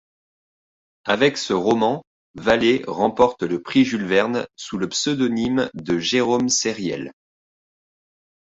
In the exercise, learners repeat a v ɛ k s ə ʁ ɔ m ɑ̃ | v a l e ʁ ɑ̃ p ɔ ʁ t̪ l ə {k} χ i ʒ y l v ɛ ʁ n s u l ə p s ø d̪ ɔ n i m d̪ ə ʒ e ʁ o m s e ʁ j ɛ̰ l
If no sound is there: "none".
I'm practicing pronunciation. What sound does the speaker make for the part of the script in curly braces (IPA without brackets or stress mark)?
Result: p